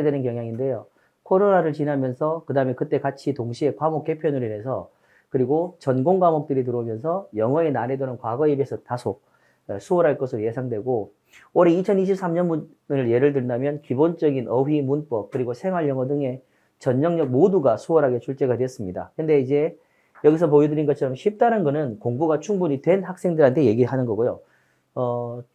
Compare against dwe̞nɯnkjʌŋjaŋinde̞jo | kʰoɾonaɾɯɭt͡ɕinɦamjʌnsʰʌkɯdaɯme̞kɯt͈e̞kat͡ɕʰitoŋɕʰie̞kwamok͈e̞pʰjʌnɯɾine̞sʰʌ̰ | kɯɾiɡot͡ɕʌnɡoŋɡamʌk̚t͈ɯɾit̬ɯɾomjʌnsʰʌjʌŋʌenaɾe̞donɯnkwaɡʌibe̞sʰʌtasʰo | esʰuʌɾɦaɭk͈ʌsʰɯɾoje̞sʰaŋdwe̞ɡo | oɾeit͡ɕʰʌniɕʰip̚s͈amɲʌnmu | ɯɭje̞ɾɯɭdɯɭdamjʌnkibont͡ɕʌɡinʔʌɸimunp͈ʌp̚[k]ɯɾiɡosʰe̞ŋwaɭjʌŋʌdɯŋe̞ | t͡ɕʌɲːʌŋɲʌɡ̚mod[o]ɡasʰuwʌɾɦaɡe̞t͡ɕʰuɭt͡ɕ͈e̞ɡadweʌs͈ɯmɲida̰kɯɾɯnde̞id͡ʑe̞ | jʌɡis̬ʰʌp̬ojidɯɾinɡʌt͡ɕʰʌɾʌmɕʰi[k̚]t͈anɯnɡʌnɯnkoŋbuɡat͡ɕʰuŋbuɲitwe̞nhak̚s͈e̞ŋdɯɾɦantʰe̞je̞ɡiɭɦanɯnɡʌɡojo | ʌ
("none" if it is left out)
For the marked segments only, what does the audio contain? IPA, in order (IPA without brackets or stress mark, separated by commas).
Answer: k, u, p̚